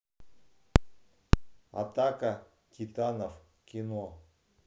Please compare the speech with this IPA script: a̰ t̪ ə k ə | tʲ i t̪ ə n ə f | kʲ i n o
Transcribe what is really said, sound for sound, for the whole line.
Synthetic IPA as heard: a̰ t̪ a k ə | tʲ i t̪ a n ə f | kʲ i n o